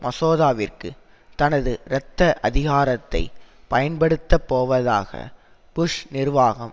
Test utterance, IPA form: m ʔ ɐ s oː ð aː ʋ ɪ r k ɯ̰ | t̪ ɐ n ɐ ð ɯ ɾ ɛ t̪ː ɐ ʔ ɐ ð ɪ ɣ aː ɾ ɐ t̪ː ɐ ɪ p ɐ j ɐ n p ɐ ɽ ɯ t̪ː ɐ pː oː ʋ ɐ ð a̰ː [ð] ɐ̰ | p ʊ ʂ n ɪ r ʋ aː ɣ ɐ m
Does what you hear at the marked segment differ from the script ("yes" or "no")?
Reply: yes